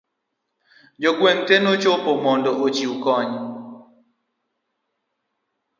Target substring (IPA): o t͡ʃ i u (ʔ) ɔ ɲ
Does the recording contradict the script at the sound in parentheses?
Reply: yes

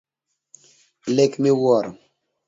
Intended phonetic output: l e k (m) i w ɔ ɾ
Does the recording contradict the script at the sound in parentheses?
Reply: no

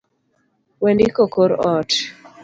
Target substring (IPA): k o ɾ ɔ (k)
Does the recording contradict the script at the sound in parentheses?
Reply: yes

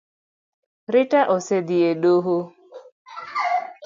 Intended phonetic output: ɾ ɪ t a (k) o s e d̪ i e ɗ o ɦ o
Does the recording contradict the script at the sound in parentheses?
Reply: yes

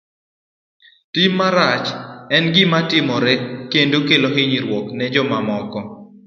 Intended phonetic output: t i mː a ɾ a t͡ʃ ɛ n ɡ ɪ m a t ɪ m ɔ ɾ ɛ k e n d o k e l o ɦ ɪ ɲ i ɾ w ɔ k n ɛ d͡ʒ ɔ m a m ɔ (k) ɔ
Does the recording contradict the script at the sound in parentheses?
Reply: no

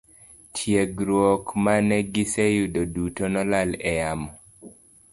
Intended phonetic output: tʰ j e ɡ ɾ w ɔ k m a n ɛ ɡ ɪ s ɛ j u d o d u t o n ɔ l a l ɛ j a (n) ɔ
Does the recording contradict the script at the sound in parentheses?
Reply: yes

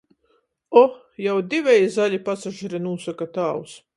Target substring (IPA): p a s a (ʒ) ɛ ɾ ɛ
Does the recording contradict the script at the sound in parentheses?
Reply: no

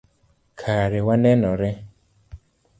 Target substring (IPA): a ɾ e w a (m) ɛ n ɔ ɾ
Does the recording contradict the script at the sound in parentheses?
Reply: yes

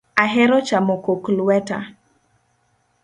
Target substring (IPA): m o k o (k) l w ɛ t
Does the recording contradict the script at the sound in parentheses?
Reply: no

